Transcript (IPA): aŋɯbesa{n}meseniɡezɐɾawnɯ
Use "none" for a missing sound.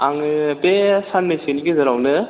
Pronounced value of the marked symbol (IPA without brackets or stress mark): n